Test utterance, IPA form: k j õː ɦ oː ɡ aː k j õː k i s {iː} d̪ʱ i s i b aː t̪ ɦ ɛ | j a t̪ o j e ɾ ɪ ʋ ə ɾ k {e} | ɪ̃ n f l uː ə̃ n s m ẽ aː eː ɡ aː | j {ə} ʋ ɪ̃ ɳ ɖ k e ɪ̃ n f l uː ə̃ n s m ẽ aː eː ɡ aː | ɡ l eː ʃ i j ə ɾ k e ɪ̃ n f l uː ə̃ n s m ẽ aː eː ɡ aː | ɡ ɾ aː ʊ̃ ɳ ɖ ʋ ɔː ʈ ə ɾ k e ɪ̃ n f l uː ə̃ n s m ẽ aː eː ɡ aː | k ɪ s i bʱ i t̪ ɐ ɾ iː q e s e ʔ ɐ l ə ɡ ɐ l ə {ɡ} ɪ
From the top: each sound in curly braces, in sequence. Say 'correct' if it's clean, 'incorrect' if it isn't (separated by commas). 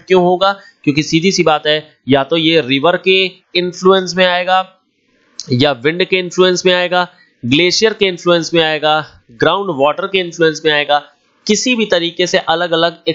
correct, correct, incorrect, correct